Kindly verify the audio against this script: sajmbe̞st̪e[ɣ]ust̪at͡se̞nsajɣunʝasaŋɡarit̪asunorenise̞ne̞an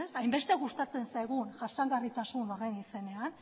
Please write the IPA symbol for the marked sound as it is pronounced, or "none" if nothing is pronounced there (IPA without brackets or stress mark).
ɣ